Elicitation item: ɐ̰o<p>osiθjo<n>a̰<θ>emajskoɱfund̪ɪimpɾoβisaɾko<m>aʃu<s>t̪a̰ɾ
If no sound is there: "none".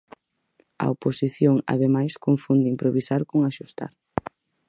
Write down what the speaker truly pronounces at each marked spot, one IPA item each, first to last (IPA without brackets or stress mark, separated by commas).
p, ŋ, ð, ŋ, s